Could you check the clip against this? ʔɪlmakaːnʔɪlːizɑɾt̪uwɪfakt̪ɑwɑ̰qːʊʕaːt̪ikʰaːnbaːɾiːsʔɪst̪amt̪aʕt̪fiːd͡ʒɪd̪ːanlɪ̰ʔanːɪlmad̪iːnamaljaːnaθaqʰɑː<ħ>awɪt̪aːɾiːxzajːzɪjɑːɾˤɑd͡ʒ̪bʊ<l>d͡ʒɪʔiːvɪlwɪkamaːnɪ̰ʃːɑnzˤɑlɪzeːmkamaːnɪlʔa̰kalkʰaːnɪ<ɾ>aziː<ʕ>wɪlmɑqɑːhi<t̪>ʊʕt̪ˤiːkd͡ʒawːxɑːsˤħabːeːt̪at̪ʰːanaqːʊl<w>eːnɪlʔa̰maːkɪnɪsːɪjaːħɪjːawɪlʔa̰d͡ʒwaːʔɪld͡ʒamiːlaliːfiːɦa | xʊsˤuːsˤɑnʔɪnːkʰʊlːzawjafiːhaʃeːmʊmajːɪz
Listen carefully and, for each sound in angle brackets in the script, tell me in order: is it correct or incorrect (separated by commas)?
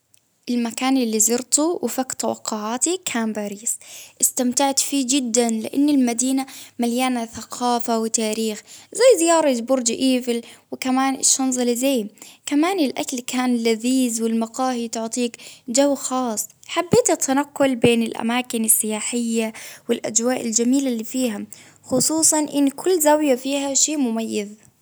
incorrect, incorrect, incorrect, incorrect, correct, incorrect